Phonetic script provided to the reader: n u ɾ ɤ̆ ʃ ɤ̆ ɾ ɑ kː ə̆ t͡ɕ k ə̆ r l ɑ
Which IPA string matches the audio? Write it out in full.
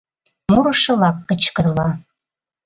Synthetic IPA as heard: m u ɾ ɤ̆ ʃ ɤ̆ l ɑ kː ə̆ t͡ɕ k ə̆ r l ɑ